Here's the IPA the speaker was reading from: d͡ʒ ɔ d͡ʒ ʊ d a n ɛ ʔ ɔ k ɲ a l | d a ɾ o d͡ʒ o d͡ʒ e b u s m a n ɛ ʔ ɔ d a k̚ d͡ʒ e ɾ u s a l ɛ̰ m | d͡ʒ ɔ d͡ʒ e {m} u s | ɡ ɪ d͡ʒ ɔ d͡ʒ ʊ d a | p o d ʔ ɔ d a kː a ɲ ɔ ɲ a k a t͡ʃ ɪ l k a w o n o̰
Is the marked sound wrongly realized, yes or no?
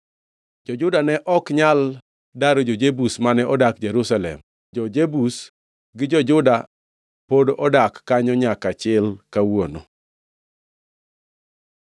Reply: yes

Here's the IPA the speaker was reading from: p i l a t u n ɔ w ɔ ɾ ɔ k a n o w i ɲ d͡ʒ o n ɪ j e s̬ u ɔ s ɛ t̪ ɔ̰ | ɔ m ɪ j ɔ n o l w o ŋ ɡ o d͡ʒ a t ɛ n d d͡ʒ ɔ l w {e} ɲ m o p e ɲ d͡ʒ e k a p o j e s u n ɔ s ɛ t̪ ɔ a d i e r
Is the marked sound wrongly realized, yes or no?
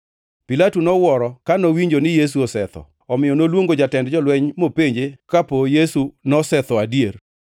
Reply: yes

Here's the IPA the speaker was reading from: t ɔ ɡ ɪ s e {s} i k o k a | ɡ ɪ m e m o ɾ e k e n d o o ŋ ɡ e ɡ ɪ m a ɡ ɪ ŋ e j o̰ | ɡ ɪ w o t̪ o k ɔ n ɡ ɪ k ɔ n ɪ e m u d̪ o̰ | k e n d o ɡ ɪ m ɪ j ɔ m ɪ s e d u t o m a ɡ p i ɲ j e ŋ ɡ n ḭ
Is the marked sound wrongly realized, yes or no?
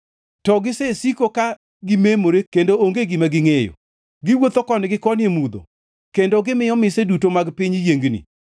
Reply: no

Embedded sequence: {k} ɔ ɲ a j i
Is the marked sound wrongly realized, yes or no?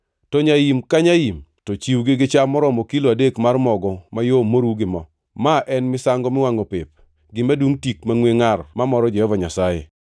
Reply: yes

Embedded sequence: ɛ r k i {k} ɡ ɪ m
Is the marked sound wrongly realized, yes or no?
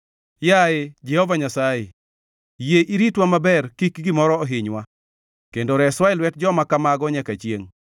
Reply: no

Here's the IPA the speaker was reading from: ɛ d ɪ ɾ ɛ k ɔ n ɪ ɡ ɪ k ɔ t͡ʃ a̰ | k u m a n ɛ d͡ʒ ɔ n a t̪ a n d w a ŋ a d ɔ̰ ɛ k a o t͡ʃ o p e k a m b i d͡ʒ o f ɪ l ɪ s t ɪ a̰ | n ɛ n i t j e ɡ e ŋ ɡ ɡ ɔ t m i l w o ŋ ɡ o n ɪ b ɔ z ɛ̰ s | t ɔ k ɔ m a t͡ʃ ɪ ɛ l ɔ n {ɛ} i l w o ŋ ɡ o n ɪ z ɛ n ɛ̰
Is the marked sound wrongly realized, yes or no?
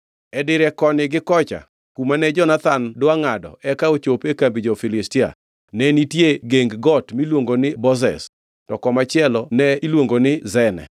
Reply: no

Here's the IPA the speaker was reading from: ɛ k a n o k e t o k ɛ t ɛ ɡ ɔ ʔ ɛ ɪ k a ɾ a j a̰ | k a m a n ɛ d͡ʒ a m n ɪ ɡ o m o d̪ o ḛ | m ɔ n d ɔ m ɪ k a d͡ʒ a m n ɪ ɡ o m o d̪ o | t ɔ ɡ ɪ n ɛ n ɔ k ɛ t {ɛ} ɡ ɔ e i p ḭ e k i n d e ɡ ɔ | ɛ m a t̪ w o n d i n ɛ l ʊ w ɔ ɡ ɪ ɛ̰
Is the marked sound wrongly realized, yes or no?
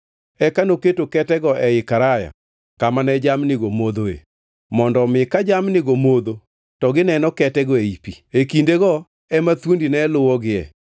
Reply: no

